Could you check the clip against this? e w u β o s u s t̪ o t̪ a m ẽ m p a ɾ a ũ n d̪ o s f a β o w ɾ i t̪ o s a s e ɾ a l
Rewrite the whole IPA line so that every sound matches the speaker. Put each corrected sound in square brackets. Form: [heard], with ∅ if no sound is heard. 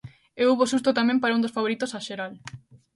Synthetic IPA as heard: e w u β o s u s t̪ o t̪ a m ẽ m p a ɾ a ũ n d̪ o s f a β o [∅] ɾ i t̪ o s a [ʃ] e ɾ a l